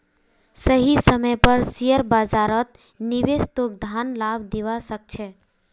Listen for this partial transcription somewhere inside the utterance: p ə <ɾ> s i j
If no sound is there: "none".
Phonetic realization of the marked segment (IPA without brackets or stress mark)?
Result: ɾ